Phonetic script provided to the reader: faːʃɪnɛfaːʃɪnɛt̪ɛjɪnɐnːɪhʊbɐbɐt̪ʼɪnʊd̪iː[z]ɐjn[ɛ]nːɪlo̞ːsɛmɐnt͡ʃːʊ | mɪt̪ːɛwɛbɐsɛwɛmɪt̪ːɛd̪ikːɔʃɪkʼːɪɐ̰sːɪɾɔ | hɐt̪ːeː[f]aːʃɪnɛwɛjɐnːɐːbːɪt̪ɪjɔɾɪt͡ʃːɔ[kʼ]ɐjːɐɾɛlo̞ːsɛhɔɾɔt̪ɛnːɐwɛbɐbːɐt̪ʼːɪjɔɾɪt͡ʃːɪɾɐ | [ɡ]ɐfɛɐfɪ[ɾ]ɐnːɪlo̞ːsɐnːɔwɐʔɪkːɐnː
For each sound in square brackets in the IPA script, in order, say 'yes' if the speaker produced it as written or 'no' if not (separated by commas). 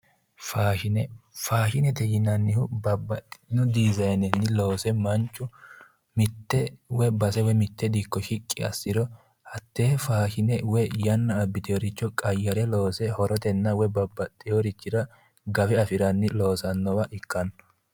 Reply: yes, yes, yes, yes, yes, yes